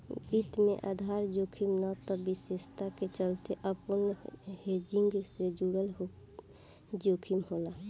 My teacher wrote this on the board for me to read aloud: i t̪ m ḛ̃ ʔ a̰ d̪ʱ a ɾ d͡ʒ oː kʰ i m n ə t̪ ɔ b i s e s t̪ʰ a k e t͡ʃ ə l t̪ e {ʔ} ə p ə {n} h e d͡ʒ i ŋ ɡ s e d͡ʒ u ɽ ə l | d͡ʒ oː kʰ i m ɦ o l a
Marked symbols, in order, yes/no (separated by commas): yes, yes